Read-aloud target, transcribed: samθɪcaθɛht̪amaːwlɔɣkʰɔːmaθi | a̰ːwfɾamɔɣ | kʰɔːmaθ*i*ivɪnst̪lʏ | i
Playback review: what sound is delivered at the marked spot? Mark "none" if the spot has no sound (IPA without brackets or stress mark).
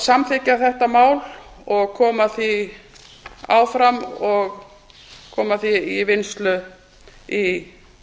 i